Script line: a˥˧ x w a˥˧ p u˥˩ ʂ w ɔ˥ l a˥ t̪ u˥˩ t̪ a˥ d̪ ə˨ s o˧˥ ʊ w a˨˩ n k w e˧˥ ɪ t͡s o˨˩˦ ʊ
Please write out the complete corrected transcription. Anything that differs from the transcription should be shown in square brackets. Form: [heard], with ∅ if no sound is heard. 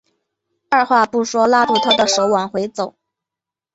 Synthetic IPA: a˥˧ x w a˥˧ p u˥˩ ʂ w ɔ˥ l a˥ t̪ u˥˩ [t̪ʰ] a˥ d̪ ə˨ [ʂ] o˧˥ ʊ w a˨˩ n [x] w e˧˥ ɪ t͡s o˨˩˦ ʊ